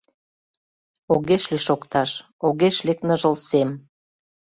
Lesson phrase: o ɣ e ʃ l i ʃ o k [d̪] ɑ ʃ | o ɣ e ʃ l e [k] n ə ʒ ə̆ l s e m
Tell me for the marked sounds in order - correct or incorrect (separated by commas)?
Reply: incorrect, correct